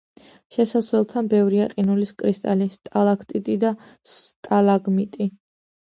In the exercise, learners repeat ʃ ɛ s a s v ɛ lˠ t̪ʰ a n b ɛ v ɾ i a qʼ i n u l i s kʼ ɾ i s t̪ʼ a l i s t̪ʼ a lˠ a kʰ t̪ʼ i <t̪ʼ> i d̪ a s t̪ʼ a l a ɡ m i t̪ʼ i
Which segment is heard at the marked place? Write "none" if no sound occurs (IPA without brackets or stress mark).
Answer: t̪ʼ